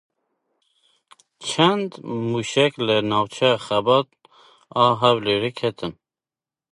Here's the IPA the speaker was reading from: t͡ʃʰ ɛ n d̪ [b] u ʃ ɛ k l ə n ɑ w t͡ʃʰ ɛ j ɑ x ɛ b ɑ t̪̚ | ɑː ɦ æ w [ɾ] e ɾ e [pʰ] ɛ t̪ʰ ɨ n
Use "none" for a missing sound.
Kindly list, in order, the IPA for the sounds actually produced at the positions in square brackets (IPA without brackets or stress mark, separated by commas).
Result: m, l, kʰ